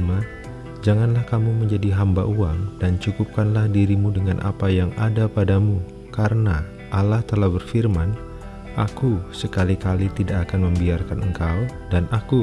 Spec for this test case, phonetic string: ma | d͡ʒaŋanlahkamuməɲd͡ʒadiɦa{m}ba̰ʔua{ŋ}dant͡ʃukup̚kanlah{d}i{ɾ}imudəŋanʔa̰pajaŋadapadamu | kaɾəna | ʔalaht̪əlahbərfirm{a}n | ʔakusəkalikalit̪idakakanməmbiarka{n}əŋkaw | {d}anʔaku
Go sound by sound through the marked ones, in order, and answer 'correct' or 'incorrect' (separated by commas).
correct, correct, correct, correct, correct, correct, correct